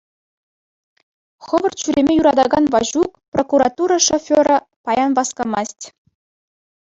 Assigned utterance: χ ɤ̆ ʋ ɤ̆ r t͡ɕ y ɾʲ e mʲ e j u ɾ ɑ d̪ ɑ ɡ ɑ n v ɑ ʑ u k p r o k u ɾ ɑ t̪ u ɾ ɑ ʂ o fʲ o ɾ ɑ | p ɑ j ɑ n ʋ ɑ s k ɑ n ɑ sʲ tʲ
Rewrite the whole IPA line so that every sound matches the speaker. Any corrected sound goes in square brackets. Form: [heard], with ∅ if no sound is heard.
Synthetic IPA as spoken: χ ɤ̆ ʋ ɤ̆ r t͡ɕ y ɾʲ e mʲ e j u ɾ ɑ d̪ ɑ ɡ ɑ n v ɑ ʑ u k p r o k u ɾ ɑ t̪ u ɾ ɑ ʂ o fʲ o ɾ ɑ | p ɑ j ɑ n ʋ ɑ s k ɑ [m] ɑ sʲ tʲ